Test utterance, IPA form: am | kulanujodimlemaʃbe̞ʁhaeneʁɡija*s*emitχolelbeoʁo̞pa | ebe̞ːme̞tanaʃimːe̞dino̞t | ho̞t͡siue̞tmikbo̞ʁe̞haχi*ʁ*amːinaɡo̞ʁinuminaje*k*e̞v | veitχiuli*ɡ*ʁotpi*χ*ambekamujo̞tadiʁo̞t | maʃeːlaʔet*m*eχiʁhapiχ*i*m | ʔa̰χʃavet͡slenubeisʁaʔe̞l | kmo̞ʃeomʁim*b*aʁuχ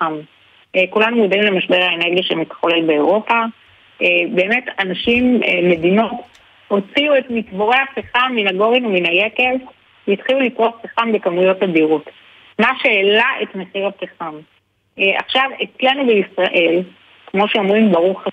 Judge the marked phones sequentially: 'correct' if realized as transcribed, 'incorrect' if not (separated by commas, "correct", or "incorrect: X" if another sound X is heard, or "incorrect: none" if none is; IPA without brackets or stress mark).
incorrect: ʃ, incorrect: χ, correct, incorrect: k, correct, correct, incorrect: a, correct